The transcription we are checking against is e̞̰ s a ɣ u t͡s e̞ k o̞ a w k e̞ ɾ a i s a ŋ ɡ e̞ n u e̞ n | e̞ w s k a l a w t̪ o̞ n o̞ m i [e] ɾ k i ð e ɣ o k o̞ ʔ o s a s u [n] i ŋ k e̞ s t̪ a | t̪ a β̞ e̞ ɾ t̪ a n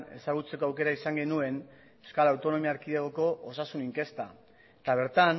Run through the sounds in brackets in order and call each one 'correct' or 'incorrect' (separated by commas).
incorrect, correct